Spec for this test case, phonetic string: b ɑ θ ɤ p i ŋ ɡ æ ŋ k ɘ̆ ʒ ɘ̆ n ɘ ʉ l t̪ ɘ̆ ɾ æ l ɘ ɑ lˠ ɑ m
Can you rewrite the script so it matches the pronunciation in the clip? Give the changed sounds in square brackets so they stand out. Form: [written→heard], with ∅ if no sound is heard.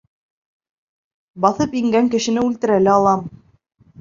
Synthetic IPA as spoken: b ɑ θ ɤ p i ŋ ɡ æ ŋ k ɘ̆ [ʒ→ʃ] ɘ̆ n ɘ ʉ l t̪ ɘ̆ ɾ æ l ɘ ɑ lˠ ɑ m